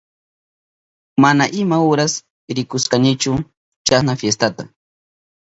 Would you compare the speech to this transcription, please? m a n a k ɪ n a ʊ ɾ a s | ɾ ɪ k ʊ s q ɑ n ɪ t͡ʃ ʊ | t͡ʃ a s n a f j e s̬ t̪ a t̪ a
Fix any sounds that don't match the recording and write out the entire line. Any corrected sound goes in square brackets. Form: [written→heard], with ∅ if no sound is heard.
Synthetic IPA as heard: m a n a [k→ʔ] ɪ [n→m] a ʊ ɾ a s | ɾ ɪ k ʊ s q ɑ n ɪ t͡ʃ ʊ | t͡ʃ a s n a f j e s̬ t̪ a t̪ a